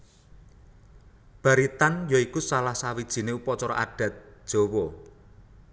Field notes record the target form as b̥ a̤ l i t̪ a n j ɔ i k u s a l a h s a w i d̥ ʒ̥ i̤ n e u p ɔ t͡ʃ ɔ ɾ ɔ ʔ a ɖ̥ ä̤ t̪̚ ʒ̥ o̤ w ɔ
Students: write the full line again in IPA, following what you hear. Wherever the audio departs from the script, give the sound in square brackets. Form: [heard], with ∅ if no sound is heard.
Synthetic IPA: b̥ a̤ [ɾ] i t̪ a n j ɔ i k u s a l a h s a w i d̥ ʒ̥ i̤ n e u p ɔ t͡ʃ ɔ ɾ ɔ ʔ a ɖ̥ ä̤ t̪̚ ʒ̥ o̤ w ɔ